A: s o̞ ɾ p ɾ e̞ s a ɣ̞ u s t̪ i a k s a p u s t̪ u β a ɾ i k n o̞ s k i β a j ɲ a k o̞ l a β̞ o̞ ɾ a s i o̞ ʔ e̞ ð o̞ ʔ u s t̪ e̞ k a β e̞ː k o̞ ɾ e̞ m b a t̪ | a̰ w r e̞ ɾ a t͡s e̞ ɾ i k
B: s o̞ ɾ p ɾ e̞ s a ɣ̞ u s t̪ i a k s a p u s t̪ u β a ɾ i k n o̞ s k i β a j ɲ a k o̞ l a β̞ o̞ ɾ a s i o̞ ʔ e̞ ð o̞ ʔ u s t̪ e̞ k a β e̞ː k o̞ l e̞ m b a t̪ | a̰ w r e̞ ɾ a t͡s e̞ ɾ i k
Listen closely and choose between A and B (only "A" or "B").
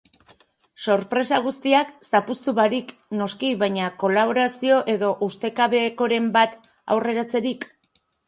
A